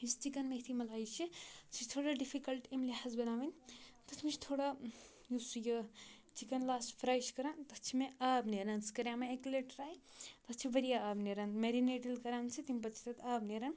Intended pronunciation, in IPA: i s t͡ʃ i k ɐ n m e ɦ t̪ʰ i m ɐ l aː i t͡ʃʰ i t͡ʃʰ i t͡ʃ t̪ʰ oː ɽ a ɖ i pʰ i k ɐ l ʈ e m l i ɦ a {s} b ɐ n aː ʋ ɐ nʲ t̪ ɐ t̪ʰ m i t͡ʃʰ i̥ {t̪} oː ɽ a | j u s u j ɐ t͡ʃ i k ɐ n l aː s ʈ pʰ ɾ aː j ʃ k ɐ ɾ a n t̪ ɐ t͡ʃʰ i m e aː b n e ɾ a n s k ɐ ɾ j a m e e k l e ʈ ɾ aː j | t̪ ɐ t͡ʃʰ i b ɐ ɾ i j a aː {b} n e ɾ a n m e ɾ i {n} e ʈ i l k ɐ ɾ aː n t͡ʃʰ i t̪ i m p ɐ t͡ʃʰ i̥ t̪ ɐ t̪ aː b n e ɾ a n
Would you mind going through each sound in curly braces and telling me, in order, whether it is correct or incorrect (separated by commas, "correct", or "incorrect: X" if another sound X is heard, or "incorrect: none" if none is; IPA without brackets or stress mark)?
incorrect: z, incorrect: t̪ʰ, correct, correct